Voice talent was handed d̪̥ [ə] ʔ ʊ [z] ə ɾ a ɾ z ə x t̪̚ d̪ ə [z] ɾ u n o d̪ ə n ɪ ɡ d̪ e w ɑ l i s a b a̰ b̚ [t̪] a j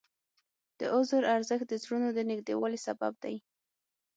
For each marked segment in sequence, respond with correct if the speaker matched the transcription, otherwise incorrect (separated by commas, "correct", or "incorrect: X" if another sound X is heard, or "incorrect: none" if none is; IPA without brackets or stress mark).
correct, correct, correct, incorrect: d̪